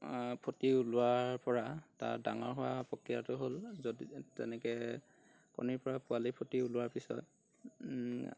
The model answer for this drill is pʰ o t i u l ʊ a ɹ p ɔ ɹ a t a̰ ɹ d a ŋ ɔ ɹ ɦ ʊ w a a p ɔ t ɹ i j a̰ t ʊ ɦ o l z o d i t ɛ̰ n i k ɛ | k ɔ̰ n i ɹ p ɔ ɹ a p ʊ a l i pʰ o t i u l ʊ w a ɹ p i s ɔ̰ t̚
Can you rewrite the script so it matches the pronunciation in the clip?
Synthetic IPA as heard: pʰ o t i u l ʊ a ɹ p ɔ ɹ a t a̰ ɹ d a ŋ ɔ ɹ ɦ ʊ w a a p ɔ k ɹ i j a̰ t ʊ ɦ o l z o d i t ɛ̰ n ɛ k ɛ | k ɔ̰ n i ɹ p ɔ ɹ a p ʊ a l i pʰ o t i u l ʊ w a ɹ p i s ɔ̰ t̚